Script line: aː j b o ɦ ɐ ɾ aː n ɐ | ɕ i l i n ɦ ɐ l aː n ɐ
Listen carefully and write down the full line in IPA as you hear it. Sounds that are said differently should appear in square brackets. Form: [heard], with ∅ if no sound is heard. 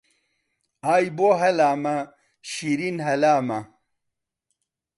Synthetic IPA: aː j b o ɦ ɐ [l] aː [m] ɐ | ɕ i [ɾ] i n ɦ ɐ l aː [m] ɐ